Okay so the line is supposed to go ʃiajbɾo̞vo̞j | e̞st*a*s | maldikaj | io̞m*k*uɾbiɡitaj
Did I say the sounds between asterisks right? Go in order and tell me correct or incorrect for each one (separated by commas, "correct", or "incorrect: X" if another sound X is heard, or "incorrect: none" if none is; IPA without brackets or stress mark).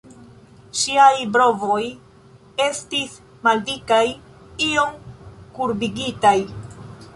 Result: incorrect: i, correct